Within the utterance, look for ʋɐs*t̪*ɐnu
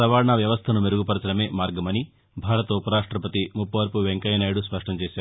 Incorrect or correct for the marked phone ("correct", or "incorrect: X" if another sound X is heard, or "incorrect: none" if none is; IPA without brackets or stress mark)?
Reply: incorrect: t̪ʰ